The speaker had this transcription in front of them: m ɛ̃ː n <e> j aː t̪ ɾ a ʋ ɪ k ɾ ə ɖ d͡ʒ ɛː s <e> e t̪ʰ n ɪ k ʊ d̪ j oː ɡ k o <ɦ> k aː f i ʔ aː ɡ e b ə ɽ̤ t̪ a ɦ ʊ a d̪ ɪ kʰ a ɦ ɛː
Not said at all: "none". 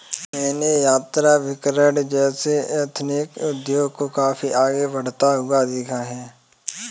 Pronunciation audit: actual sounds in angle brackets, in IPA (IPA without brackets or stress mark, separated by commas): e, e, none